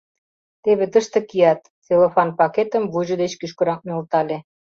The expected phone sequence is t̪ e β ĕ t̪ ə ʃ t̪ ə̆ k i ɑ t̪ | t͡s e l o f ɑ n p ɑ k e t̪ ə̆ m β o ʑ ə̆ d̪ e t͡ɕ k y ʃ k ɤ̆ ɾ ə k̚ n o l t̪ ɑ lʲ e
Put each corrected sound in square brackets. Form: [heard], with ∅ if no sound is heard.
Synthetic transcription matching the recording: t̪ e β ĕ t̪ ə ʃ t̪ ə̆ k i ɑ t̪ | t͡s e l o f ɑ n p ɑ k e t̪ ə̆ m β [u] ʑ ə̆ d̪ e t͡ɕ k y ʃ k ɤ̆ ɾ [ɑ] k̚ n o l t̪ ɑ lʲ e